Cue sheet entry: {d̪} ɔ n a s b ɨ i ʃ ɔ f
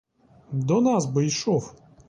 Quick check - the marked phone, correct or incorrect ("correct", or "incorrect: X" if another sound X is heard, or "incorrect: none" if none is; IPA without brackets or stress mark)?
correct